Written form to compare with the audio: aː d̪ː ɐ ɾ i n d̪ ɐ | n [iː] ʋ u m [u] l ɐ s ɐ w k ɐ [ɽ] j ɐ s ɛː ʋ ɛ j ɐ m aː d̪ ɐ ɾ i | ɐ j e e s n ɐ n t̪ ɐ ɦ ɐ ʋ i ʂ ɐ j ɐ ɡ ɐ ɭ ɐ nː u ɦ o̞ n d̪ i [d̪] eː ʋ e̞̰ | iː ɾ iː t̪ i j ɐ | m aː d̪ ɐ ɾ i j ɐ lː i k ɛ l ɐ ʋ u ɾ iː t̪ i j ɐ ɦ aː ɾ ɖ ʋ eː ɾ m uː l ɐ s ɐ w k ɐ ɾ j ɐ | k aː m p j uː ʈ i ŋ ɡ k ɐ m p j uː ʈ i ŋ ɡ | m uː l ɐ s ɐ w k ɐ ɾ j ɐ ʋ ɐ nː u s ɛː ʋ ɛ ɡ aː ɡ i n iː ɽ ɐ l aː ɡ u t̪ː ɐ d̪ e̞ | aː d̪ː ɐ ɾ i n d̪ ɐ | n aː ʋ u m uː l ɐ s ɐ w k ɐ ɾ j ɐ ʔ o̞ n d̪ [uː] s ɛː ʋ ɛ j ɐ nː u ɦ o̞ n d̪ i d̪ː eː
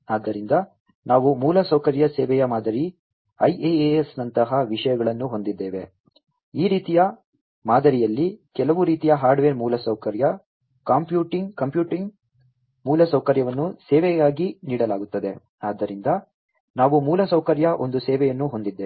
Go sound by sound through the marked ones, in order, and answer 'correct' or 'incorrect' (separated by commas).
incorrect, incorrect, incorrect, incorrect, incorrect